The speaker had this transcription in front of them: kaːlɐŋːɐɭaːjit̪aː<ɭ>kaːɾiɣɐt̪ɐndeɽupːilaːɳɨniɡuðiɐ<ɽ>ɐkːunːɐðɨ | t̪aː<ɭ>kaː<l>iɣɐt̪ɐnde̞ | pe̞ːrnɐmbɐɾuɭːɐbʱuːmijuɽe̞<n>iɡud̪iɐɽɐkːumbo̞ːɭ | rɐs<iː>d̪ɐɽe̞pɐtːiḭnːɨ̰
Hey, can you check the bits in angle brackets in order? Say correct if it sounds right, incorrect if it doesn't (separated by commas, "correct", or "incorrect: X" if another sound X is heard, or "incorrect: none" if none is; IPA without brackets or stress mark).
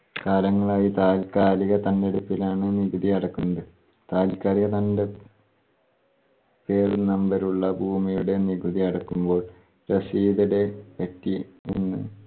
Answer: incorrect: l, correct, incorrect: l, incorrect: ɾ, correct, correct